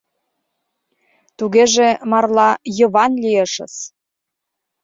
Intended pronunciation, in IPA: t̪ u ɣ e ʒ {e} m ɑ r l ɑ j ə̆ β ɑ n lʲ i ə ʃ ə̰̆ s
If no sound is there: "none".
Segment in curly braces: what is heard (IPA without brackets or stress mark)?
e